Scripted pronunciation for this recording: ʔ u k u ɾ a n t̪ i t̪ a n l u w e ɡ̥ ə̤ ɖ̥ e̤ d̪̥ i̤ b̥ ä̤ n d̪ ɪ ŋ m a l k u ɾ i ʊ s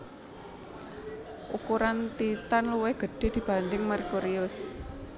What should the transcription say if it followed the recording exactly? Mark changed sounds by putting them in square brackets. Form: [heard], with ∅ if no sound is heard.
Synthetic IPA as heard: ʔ u k u ɾ a n t̪ i t̪ a n l u w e ɡ̥ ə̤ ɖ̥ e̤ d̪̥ i̤ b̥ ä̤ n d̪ ɪ ŋ m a [r] k u ɾ i ʊ s